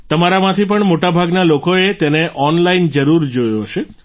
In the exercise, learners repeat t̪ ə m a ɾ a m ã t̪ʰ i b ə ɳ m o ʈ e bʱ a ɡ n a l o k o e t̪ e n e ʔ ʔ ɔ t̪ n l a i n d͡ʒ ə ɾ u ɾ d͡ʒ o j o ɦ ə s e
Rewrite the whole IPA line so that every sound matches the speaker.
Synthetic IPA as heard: t̪ ə m a ɾ a m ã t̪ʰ i p ə ɳ m o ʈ a bʱ a ɡ n a l o k o e t̪ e n e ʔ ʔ ɔ n l a i n d͡ʒ ə ɾ u ɾ d͡ʒ o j o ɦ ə ʃ e

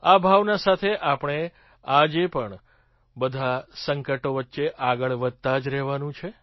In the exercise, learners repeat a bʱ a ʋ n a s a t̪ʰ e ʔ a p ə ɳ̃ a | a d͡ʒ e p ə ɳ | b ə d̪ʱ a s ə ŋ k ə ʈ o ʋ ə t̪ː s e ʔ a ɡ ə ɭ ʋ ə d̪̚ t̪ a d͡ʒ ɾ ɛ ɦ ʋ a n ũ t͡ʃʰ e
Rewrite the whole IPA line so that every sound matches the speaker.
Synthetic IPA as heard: a bʱ a ʋ n a s a t̪ʰ e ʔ a p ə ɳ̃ e | a d͡ʒ e p ə ɳ | b ə d̪ʱ a s ə ŋ k ə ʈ o ʋ ə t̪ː ʃ e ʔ a ɡ ə ɭ ʋ ə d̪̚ t̪ a d͡ʒ ɾ ɛ ɦ ʋ a n ũ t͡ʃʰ e

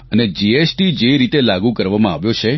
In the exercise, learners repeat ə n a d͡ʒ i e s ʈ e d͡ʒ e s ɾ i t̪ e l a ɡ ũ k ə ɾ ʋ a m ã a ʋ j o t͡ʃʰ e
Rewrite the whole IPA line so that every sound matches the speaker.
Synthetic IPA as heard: ə n e d͡ʒ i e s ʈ i d͡ʒ e ɾ i t̪ e l a ɡ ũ k ə ɾ ʋ a m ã a ʋ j o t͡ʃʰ e

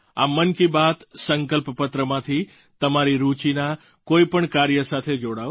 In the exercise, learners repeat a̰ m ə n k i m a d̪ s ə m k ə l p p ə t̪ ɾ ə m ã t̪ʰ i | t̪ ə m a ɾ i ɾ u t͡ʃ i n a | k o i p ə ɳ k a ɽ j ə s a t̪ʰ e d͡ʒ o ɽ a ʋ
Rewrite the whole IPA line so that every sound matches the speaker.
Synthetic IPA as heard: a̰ m ə n k i b a t̪ s ə ŋ k ə l p p ə t̪ ɾ ə m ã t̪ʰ i | t̪ ə m a ɾ i ɾ u t͡ʃ i n a | k o i p ə ɳ k a ɾ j ə s a t̪ʰ e d͡ʒ o ɽ a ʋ

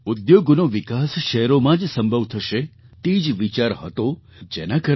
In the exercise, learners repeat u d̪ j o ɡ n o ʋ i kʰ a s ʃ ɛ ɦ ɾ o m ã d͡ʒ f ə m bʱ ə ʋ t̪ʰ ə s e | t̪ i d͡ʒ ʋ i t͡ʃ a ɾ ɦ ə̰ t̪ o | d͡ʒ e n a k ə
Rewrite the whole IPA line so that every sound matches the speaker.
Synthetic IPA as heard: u d̪ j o ɡ n o ʋ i k a s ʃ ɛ ɦ ɾ o m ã d͡ʒ s ə m bʱ ə ʋ t̪ʰ ə ʃ e | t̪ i d͡ʒ ʋ i t͡ʃ a ɾ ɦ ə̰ t̪ o | d͡ʒ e n a k ə

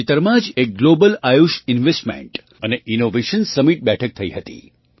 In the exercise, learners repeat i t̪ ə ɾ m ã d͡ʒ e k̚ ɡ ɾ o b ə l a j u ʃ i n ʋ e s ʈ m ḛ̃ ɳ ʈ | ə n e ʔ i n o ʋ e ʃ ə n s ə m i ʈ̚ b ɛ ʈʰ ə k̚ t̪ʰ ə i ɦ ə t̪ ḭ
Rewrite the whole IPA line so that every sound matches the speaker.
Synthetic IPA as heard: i t̪ ə ɾ m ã d͡ʒ e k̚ ɡ l o b ə l a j u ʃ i n ʋ e s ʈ m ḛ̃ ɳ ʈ | ə n e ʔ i n o ʋ e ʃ ə n s ə m i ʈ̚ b ɛ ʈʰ ə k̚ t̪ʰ ə i ɦ ə t̪ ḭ

